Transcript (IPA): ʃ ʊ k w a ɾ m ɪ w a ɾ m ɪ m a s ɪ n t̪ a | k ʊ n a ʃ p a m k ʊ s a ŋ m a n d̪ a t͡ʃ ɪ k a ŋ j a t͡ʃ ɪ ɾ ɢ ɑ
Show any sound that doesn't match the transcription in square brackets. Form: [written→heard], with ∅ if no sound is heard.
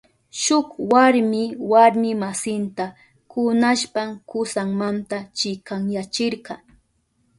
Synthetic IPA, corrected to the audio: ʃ ʊ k w a ɾ m ɪ w a ɾ m ɪ m a s ɪ n t̪ a | k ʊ n a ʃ p a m k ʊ s a ŋ m a n [d̪→t̪] a t͡ʃ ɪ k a ŋ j a t͡ʃ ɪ ɾ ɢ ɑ